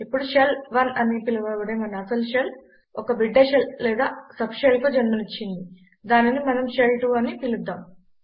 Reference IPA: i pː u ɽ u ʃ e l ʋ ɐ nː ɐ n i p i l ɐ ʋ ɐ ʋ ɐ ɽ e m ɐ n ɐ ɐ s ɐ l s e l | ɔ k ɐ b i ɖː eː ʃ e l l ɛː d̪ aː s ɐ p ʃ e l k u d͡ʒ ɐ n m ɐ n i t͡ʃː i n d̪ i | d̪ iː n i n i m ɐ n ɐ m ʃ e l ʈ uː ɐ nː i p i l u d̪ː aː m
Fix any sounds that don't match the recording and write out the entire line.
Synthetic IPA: i pː u ɽ u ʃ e l ʋ ɐ n ɐ n i p i l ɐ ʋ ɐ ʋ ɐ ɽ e m ɐ n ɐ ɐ s ɐ l ʃ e l | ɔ k ɐ b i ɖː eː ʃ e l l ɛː d̪ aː s ɐ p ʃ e l k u d͡ʒ ɐ n m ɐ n i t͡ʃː i n d̪ i | d̪ aː n i n i m ɐ n ɐ m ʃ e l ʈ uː ɐ n i p i l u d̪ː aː m